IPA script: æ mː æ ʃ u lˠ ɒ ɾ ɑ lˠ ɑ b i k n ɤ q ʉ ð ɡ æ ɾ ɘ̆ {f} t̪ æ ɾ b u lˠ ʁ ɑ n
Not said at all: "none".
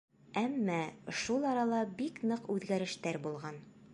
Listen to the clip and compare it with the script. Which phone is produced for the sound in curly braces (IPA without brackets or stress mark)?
ʃ